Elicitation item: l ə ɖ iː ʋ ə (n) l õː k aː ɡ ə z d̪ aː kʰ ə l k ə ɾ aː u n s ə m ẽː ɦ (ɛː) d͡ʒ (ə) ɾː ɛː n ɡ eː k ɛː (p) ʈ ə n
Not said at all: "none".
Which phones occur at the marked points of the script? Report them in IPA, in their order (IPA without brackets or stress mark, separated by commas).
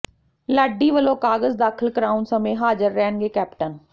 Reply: none, aː, ə, p